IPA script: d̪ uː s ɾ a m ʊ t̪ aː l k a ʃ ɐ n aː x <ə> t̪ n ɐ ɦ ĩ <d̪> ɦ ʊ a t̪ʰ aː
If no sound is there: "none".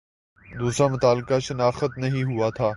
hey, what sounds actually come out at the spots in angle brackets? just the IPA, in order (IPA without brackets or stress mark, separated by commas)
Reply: ə, none